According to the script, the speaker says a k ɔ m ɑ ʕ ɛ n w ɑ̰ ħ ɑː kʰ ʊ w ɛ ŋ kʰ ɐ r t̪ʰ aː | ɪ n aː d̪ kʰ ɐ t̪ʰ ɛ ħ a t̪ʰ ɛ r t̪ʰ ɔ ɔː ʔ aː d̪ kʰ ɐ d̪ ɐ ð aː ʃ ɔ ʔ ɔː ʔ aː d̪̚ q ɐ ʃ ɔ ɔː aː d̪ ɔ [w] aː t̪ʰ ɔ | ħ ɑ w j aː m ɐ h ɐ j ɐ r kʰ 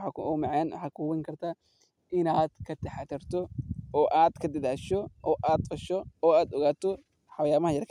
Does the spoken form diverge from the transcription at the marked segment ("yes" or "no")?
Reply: yes